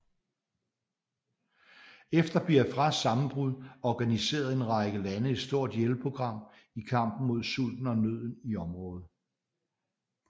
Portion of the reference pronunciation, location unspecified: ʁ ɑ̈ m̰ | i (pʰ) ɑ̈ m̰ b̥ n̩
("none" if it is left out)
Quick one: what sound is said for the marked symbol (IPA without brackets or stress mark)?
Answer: kʰ